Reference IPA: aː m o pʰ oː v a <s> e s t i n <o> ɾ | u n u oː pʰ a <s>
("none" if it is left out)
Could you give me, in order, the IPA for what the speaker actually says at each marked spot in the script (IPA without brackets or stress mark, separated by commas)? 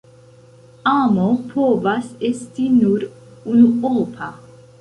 s, u, none